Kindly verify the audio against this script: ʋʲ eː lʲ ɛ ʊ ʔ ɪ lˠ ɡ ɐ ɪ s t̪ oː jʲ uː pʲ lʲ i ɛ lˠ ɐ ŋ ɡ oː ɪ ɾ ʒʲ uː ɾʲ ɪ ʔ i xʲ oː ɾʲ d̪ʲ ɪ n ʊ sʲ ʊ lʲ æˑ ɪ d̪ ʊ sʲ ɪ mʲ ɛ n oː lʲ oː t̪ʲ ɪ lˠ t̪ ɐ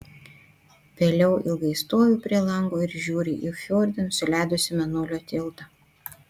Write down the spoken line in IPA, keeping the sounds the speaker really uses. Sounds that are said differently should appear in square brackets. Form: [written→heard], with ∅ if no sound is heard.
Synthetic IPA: ʋʲ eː lʲ ɛ ʊ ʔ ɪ lˠ ɡ ɐ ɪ s t̪ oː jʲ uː pʲ [lʲ→ɾʲ] i ɛ lˠ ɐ ŋ ɡ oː ɪ ɾ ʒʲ uː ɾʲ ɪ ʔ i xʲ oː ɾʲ d̪ʲ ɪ n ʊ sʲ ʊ lʲ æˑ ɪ d̪ ʊ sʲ ɪ mʲ ɛ n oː lʲ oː t̪ʲ ɪ lˠ t̪ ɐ